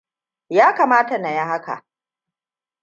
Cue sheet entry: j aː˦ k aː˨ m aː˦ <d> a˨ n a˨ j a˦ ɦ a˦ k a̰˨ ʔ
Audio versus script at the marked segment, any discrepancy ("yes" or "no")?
yes